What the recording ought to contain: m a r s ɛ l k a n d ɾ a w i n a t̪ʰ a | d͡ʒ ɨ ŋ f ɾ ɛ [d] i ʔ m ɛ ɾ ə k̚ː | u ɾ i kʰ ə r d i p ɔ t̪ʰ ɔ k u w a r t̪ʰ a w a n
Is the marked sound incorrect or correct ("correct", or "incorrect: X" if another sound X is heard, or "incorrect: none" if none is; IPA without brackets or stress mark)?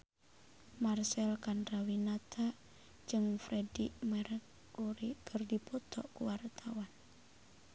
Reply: correct